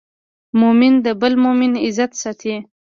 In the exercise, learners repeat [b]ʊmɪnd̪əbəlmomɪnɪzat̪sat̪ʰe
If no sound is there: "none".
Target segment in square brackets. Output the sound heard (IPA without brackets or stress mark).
m